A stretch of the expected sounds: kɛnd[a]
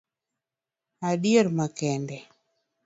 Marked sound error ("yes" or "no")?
yes